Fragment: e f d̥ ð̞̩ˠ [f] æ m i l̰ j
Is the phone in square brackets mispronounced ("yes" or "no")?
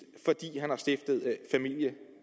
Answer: no